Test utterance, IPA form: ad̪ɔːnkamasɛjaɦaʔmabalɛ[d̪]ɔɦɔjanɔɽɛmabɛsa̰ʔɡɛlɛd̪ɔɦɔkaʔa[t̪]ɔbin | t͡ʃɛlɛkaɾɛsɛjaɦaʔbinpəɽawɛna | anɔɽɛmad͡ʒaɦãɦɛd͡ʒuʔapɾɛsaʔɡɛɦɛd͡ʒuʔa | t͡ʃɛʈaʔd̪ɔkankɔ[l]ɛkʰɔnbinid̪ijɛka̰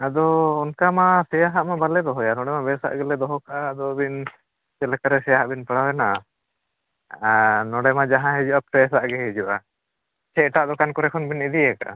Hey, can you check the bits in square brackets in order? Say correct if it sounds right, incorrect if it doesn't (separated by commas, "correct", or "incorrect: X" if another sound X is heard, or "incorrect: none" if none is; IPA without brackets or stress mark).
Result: correct, incorrect: d̪, incorrect: ɾ